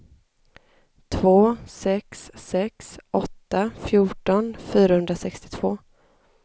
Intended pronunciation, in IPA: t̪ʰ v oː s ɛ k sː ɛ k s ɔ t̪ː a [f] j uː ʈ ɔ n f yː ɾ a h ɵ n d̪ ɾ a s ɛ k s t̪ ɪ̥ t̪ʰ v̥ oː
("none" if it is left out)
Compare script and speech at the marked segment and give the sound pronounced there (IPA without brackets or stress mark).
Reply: f